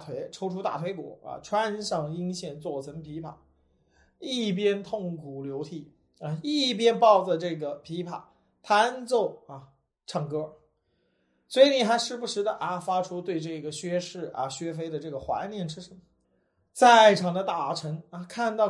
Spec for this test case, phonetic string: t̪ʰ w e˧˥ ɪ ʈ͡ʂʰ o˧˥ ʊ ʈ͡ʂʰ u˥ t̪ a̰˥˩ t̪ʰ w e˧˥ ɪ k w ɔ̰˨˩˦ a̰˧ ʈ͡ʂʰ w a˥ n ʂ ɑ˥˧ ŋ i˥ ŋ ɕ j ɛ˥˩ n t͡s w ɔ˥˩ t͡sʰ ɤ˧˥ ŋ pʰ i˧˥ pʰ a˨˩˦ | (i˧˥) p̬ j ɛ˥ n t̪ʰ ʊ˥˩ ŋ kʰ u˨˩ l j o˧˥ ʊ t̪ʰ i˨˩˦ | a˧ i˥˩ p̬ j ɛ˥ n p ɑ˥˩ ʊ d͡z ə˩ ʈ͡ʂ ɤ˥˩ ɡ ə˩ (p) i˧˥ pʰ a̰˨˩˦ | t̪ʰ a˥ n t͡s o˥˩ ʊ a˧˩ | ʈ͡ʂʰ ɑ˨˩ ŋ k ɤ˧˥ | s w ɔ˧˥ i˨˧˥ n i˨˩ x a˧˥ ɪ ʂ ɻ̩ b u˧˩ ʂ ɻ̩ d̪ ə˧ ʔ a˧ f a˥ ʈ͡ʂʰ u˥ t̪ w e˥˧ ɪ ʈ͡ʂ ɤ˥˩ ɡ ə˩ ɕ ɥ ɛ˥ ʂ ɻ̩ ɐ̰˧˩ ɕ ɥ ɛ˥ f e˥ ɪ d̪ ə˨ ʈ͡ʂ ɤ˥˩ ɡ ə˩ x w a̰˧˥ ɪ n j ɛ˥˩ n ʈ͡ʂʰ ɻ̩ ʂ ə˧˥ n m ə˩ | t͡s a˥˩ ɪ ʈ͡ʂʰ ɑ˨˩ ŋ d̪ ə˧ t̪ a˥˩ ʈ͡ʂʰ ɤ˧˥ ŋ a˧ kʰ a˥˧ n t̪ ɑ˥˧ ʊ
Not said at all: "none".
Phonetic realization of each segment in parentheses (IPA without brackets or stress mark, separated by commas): i˥˩, pʰ